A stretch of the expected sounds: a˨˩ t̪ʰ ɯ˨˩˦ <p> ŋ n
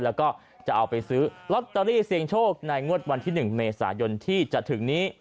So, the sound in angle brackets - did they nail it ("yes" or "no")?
no